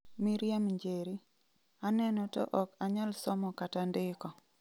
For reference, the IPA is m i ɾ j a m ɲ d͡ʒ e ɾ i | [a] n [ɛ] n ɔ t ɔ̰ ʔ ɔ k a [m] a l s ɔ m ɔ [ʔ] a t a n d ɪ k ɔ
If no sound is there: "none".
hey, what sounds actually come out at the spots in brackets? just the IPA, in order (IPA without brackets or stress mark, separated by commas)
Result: a, ɛ, ɲ, k